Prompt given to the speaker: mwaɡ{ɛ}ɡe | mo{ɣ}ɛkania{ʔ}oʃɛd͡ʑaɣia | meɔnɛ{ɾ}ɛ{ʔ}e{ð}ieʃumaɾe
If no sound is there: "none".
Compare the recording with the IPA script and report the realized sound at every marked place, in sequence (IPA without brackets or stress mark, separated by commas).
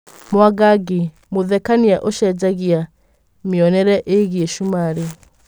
a, ð, ʔ, ɾ, ʔ, ɣ